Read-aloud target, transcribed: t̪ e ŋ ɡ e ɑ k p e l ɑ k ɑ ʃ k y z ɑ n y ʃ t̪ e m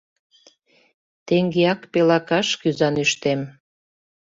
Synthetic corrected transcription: t̪ e ŋ ɡ e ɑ k p e l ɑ k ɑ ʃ k y z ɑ n y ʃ t̪ e m